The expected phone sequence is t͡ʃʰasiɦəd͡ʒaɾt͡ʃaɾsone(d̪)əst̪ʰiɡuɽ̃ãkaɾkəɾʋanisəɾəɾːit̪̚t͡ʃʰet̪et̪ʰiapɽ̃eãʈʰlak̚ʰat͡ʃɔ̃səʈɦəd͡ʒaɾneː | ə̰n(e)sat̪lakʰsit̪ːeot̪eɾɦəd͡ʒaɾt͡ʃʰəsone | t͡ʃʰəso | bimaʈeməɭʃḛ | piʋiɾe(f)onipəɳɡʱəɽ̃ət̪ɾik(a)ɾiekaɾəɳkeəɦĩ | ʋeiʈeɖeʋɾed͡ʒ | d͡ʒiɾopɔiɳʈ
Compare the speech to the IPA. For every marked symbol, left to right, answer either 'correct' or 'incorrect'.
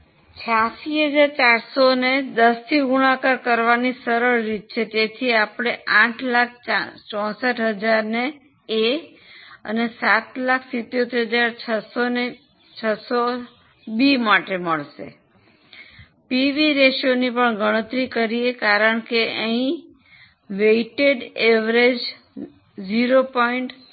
correct, correct, incorrect: ʃ, incorrect: ə

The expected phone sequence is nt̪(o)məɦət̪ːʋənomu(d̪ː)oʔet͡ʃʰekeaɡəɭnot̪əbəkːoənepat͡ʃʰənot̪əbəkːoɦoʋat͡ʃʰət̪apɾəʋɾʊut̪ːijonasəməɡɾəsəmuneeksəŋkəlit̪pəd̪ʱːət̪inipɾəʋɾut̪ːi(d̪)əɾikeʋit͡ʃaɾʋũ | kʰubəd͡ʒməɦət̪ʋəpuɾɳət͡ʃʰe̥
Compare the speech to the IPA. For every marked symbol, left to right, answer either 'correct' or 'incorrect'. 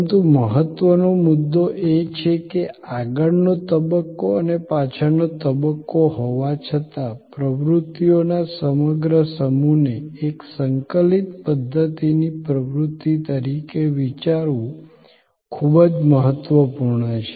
incorrect: u, correct, incorrect: t̪

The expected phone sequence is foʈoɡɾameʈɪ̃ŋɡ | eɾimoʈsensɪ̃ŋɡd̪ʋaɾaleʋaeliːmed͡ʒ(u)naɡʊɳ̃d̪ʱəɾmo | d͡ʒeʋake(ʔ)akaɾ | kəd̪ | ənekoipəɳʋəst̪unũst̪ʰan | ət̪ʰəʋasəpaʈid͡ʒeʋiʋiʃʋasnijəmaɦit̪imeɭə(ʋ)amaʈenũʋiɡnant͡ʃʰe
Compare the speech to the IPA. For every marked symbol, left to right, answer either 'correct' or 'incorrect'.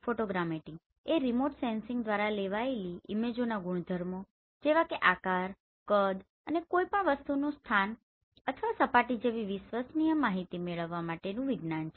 incorrect: o, correct, incorrect: ʋː

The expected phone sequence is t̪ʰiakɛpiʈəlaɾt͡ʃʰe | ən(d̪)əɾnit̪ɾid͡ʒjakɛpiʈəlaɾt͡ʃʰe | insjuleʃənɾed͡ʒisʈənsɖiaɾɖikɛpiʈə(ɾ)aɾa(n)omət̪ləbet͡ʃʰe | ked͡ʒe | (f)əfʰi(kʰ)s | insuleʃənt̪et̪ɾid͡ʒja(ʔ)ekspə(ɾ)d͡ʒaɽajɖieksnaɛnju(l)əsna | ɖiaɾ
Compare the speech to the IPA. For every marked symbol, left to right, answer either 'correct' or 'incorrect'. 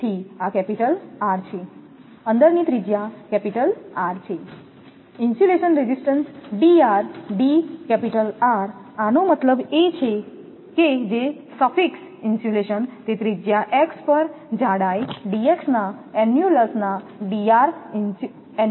correct, incorrect: l, correct, incorrect: s, incorrect: k, correct, correct, correct

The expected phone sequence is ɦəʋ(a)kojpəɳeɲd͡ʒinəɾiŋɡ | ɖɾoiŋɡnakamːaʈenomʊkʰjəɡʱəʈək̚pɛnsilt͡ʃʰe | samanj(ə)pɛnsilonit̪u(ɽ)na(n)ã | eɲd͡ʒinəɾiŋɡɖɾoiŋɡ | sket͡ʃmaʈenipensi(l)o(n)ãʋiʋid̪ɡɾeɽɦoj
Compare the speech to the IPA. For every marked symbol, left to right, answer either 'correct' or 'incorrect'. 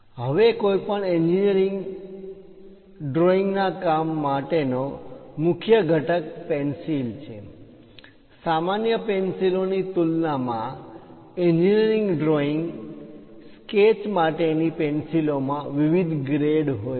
incorrect: e, correct, incorrect: l, incorrect: m, correct, incorrect: m

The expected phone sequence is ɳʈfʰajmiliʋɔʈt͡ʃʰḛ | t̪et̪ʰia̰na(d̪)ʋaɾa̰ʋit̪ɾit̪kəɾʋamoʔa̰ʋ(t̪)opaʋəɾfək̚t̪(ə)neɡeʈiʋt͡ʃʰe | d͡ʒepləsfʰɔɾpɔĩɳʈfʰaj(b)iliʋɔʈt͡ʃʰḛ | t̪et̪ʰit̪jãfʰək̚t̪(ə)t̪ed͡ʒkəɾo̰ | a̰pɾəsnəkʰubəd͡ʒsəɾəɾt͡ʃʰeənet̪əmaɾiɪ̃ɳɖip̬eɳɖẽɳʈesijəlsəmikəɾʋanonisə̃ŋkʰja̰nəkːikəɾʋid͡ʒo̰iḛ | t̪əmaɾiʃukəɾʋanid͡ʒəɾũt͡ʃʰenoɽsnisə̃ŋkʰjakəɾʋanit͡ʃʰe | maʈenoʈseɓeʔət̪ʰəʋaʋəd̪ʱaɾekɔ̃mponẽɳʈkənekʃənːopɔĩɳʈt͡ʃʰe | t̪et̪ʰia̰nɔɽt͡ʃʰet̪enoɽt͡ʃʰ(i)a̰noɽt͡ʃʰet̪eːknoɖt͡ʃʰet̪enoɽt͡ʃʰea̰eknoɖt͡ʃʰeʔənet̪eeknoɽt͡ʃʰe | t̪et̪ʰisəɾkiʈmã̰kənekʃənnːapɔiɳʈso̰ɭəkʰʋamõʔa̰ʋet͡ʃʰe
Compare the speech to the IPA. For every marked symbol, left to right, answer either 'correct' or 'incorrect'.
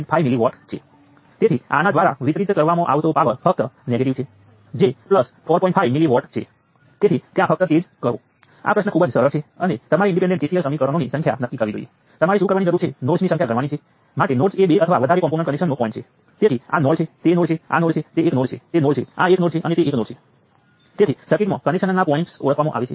correct, correct, correct, incorrect: m, correct, incorrect: e

